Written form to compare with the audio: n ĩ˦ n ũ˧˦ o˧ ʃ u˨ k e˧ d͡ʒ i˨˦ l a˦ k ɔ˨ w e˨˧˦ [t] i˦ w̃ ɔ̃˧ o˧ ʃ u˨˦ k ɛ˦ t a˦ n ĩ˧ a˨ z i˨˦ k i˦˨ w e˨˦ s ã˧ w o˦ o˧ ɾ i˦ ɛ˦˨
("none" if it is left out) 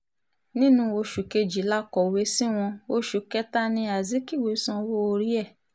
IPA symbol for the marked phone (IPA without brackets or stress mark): s